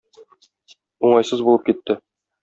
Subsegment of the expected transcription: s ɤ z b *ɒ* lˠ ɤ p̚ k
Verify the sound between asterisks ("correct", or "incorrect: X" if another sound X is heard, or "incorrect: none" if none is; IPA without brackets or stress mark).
incorrect: u